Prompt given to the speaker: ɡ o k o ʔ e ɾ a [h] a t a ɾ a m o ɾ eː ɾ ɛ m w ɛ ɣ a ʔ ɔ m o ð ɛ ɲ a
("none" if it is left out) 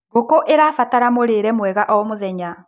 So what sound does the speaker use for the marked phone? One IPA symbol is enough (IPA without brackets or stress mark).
f